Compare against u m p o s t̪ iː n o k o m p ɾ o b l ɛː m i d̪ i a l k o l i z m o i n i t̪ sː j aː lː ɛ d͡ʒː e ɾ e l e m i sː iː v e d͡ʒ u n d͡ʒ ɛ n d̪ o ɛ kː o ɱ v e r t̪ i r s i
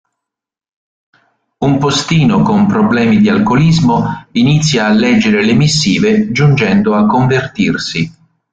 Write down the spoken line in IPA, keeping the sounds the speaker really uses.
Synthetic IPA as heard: u m p o s t̪ iː n o k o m p ɾ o b l ɛː m i d̪ i a l k o l i z m o i n i t̪ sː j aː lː ɛ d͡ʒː e ɾ e l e m i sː iː v e d͡ʒ u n d͡ʒ ɛ n d̪ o a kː o ɱ v e r t̪ i r s i

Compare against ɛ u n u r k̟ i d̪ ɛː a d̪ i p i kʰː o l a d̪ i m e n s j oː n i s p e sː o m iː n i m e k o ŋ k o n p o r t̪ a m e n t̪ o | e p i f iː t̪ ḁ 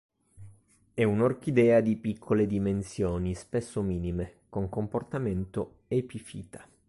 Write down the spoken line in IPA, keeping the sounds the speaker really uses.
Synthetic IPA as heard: ɛ u n o r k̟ i d̪ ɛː a d̪ i p i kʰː o l e d̪ i m e n s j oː n i s p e sː o m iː n i m e k o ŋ k o m p o r t̪ a m e n t̪ o | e p i f iː t̪ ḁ

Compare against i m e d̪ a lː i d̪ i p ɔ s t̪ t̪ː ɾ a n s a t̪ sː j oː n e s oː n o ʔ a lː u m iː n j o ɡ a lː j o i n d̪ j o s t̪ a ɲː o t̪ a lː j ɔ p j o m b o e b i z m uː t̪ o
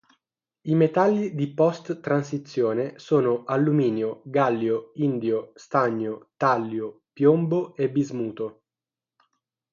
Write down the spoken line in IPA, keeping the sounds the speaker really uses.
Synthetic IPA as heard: i m e t̪ a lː i d̪ i p ɔ s t̪ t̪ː ɾ a n s i t̪ sː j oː n e s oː n o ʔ a lː u m iː n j o ɡ a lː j o i n d̪ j o s t̪ a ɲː o t̪ a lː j o p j o m b o e b i z m uː t̪ o

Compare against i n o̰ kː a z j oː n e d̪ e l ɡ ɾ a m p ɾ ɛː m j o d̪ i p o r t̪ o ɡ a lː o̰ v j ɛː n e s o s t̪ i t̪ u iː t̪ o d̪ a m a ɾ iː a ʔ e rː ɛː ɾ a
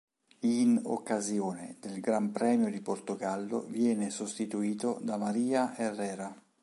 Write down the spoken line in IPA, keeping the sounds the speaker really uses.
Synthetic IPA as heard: i n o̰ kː a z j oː n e d̪ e l ɡ ɾ a m p ɾ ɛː m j o d̪ i p o r t̪ o ɡ a lː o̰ v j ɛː n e s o s t̪ i t̪ u iː t̪ o d̪ a m a ɾ iː a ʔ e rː ɛː ɾ a

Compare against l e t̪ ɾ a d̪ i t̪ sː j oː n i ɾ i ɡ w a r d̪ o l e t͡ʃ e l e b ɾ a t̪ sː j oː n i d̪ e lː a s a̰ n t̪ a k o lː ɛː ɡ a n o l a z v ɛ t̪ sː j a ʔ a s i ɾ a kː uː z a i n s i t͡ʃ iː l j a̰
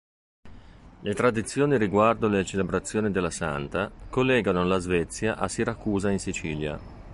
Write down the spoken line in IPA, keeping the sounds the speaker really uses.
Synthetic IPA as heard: l e t̪ ɾ a d̪ i t̪ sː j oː n i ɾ i ɡ w a r d̪ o l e t͡ʃ e l e b ɾ a t̪ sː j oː n i d̪ e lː a s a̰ n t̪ a k o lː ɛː ɡ a n o l a z v ɛ t̪ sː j a ʔ a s i ɾ a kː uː z a i n s i t͡ʃ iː l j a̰

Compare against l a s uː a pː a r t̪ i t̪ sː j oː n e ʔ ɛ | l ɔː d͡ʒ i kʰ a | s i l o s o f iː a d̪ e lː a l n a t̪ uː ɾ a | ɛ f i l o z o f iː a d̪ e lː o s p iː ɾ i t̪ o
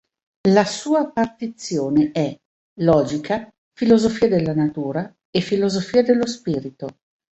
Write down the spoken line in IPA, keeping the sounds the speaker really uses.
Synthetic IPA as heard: l a s uː a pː a r t̪ i t̪ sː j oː n e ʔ ɛ | l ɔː d͡ʒ i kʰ a | f i l o z o f iː a d̪ e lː a n a t̪ uː ɾ a | e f i l o z o f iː a d̪ e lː o s p iː ɾ i t̪ o

